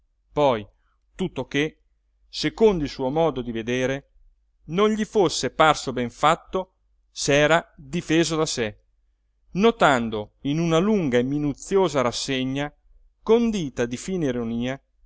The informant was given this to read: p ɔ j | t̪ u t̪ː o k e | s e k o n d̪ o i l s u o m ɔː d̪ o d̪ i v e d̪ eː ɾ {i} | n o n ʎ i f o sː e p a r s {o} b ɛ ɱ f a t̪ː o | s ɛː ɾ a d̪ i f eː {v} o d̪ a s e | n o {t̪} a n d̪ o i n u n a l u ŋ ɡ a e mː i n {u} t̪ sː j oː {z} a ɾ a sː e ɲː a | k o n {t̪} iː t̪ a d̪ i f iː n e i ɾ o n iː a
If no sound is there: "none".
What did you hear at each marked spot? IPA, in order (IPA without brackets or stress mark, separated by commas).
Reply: e, o, z, t̪, u, z, d̪